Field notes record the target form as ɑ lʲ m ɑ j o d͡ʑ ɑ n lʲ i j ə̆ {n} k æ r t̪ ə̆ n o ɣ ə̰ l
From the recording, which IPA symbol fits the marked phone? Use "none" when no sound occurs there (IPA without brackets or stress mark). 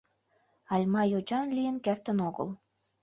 n